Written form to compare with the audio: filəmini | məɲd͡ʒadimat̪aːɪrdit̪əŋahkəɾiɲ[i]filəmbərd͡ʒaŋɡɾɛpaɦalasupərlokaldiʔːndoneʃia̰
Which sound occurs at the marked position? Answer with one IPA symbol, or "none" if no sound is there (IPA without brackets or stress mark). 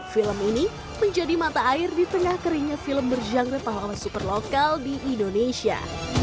a